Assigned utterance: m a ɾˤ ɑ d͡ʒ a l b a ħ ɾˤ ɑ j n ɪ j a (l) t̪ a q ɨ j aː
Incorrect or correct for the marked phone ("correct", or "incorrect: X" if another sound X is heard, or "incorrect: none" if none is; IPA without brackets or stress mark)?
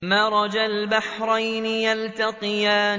correct